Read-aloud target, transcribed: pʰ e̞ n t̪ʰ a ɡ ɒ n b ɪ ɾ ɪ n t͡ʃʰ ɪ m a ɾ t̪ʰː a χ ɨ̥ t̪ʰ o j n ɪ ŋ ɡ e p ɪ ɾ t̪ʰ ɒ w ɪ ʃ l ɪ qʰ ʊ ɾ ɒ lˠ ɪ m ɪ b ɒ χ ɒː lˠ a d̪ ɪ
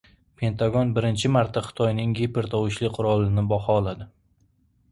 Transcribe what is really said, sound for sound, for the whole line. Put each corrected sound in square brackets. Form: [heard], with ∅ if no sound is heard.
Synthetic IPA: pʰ e̞ n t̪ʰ a ɡ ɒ n b ɪ ɾ ɪ n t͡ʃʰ ɪ m a ɾ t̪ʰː a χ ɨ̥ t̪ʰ [ɒ] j n ɪ ŋ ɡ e p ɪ ɾ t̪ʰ ɒ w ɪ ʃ l ɪ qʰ ʊ ɾ ɒ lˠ ɪ [n] ɪ b ɒ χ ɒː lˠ a d̪ ɪ